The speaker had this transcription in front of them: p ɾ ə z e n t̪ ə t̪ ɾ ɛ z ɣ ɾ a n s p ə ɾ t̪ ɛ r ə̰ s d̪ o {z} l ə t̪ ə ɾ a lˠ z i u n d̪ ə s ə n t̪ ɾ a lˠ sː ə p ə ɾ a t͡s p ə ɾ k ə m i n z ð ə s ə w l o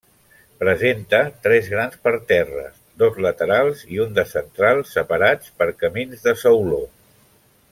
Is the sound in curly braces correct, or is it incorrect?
correct